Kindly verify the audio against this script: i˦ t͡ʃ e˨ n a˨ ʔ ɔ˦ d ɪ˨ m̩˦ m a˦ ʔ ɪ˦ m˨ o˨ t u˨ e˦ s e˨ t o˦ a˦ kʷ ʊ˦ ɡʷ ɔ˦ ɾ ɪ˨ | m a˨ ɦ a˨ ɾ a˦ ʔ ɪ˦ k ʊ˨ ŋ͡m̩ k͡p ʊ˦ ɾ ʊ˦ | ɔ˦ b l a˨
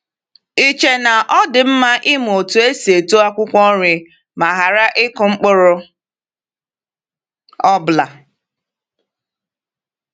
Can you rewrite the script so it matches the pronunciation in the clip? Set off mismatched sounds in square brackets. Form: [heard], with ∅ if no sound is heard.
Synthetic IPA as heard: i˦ t͡ʃ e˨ n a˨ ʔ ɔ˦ d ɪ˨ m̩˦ m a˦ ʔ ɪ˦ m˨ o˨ t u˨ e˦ s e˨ t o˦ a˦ kʷ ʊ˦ [kʷ] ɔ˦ ɾ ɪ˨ | m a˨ ɦ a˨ ɾ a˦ ʔ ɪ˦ k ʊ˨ ŋ͡m̩ k͡p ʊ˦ ɾ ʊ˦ | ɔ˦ b l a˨